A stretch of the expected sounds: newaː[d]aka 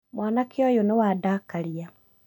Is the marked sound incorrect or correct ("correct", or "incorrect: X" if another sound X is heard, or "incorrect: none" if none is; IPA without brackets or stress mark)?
correct